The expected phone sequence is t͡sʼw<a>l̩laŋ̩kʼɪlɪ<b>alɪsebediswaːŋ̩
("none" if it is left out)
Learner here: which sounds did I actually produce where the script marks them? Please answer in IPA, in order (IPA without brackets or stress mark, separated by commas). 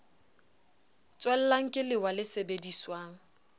ɛ, w